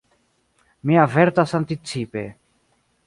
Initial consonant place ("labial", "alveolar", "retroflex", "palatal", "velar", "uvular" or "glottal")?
labial